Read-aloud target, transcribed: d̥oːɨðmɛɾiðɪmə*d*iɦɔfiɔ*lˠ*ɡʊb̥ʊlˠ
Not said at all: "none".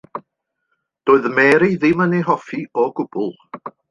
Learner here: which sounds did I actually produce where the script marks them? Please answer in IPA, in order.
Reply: n, none

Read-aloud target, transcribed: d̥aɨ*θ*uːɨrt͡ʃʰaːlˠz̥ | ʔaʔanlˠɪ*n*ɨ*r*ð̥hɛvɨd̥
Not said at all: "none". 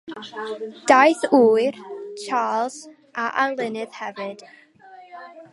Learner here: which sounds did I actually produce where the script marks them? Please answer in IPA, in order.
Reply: θ, n, none

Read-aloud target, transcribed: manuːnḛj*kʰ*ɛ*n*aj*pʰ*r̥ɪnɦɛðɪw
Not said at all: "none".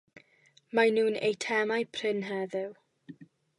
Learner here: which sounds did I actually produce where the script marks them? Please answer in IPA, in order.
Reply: tʰ, m, pʰ

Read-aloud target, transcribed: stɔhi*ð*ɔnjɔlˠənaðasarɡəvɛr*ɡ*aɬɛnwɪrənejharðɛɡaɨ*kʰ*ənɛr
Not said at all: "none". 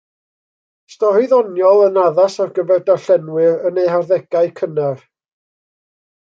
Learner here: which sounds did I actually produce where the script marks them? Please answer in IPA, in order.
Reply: ð, d, kʰ

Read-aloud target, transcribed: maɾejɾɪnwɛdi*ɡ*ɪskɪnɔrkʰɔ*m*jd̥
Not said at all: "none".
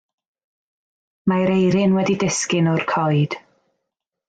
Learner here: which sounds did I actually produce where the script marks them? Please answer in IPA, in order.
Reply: d, none

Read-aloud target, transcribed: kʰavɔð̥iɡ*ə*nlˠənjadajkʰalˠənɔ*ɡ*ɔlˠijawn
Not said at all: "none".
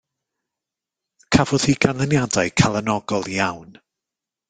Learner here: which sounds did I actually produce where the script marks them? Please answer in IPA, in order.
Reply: a, ɡ

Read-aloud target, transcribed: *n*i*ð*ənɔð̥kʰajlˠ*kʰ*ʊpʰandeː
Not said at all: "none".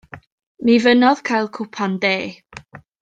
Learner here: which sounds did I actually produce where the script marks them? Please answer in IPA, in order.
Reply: m, v, kʰ

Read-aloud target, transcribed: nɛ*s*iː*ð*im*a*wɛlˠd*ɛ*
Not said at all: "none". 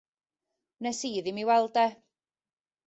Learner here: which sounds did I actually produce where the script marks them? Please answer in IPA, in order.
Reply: s, ð, i, ɛ

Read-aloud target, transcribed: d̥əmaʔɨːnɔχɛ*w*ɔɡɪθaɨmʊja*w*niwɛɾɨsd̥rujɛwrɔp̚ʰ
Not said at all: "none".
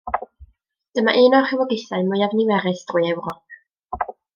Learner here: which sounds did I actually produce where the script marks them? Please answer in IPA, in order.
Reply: w, v

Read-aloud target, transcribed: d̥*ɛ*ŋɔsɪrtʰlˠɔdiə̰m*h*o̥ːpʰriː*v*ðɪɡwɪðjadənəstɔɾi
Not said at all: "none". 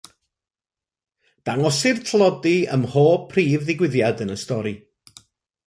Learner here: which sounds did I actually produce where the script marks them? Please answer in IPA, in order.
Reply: a, h, v

